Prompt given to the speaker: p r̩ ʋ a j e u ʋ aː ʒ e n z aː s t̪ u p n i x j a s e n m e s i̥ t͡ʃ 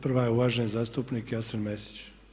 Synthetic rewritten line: p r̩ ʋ a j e u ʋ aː ʒ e n z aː s t̪ u p n i k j a s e n m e s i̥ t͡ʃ